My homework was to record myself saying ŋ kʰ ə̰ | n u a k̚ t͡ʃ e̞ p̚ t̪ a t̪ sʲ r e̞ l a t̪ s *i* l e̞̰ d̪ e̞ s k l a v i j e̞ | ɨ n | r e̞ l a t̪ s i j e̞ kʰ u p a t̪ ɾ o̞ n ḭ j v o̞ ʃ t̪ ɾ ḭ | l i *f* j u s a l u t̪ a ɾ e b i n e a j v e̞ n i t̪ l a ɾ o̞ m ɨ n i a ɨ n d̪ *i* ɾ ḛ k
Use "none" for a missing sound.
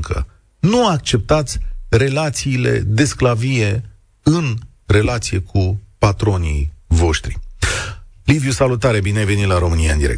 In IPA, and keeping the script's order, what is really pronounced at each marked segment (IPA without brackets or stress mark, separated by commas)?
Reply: iː, v, i